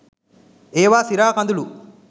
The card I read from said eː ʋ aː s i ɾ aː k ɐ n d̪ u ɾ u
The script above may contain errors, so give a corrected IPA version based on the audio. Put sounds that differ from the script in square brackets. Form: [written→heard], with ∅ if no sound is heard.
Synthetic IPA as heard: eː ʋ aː s i ɾ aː k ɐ n d̪ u [ɾ→l] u